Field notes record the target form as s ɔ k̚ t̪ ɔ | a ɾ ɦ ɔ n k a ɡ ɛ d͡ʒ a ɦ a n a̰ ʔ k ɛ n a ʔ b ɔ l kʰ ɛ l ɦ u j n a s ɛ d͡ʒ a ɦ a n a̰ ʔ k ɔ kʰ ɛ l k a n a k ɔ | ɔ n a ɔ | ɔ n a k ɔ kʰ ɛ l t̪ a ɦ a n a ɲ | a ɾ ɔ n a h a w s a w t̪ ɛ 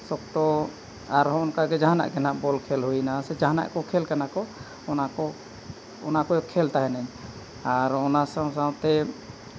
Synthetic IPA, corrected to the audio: s ɔ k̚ t̪ ɔ | a ɾ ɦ ɔ n k a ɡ ɛ d͡ʒ a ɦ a n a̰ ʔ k ɛ n a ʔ b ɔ l kʰ ɛ l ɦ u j n a s ɛ d͡ʒ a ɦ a n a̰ ʔ k ɔ kʰ ɛ l k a n a k ɔ | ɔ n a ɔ | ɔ n a k ɔ kʰ ɛ l t̪ a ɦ ɛ n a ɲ | a ɾ ɔ n a s a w s a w t̪ ɛ